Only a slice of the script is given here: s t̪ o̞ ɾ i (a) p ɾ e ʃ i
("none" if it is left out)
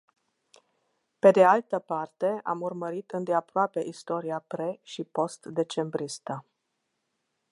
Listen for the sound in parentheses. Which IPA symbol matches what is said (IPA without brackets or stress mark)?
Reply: a